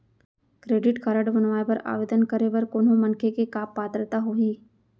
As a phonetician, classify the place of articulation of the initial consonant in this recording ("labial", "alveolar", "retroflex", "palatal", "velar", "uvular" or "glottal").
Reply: velar